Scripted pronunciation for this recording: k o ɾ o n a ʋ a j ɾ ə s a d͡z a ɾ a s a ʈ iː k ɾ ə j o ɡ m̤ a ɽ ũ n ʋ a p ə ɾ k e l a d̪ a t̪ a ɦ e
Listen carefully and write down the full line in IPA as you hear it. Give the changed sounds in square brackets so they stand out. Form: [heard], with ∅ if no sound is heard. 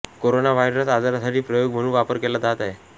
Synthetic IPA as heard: k o ɾ o n a ʋ a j ɾ ə s a d͡z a ɾ a s a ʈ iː [p] ɾ ə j o ɡ m̤ [ə] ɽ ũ n ʋ a p ə ɾ k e l a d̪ a t̪ a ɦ e

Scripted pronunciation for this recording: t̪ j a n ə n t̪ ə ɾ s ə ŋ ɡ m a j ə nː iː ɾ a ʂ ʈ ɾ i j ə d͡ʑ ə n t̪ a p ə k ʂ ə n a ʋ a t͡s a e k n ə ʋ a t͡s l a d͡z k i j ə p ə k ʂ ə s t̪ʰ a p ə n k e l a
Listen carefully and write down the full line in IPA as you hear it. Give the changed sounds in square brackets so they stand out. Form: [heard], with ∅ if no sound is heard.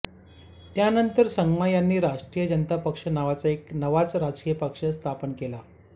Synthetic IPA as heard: t̪ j a n ə n t̪ ə ɾ s ə ŋ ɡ m a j [a] nː iː ɾ a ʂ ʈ ɾ i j ə d͡ʑ ə n t̪ a p ə k ʂ ə n a ʋ a t͡s a e k n ə ʋ a t͡s [ɾ] a d͡z k i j ə p ə k ʂ ə s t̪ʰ a p ə n k e l a

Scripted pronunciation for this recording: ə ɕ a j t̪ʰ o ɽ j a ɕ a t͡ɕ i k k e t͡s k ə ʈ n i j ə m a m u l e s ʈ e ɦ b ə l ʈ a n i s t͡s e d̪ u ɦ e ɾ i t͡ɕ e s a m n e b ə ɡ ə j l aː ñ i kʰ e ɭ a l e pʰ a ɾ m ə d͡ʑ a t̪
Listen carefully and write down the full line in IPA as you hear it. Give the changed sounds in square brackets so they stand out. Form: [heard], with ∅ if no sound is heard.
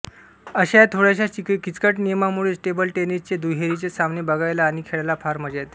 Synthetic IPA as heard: ə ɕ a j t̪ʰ o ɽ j a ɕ a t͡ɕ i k k [i] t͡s k ə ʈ n i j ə m a m u [ɭ] e s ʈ e [∅] b ə l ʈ [e] n i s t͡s e d̪ u ɦ e ɾ i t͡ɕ e s a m n e b ə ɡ [a] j l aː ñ i kʰ e ɭ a l [a] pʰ a ɾ m ə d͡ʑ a t̪

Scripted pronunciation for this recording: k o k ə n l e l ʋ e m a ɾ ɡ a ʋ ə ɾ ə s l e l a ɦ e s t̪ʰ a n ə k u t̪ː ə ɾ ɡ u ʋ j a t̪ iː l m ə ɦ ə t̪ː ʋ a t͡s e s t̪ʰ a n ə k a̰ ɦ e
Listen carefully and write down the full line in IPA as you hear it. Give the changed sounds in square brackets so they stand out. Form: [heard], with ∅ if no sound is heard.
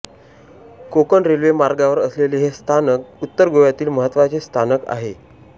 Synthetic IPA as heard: k o k ə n [ɾ] e l ʋ e m a ɾ ɡ a ʋ ə ɾ ə s l e l [e] ɦ e s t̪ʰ a n ə k u t̪ː ə ɾ ɡ [o] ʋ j a t̪ iː l m ə ɦ ə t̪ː ʋ a t͡s e s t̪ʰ a n ə k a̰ ɦ e

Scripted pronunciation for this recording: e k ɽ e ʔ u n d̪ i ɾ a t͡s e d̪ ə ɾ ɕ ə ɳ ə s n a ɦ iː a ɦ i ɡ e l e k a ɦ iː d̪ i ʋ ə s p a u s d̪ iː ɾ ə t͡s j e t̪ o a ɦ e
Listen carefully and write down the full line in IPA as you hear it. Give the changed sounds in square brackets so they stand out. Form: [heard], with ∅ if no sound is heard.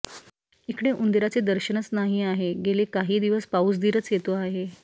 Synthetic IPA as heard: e k ɽ e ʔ u n d̪ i ɾ a t͡s e d̪ ə ɾ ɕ ə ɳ ə [t͡s] n a ɦ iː a ɦ [e] ɡ e l e k a ɦ iː d̪ i ʋ ə s p a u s d̪ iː ɾ ə t͡s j e t̪ o a ɦ e

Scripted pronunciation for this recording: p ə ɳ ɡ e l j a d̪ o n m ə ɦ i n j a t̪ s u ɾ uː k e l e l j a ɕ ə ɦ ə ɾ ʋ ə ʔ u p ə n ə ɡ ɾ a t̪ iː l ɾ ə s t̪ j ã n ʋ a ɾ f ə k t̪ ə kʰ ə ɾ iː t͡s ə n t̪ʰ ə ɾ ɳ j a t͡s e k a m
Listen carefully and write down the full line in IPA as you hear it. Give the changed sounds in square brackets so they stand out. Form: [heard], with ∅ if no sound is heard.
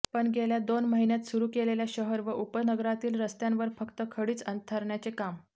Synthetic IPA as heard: p ə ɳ ɡ e l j a d̪ o n m ə ɦ i n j a t̪ s u ɾ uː k e l e l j a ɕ ə ɦ ə ɾ ʋ ə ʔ u p ə n ə ɡ ɾ a t̪ iː l ɾ ə s t̪ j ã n ʋ [ə] ɾ f ə k t̪ ə kʰ ə [ɽ] iː t͡s ə n t̪ʰ ə ɾ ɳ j a t͡s e k a m

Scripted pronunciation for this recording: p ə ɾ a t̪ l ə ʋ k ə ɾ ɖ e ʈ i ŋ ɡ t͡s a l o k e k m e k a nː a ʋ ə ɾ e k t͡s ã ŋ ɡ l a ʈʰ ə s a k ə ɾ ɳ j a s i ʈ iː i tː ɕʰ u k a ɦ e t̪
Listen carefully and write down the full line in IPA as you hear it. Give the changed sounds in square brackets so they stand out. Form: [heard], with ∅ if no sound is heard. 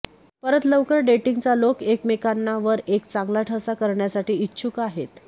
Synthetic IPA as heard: p ə ɾ [ə] t̪ l ə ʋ k ə ɾ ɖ e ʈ i ŋ ɡ t͡s a l o k e k m e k a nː a ʋ ə ɾ e k t͡s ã ŋ ɡ l a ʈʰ ə s a k ə ɾ ɳ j a s [a] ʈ iː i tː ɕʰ u k a ɦ e t̪

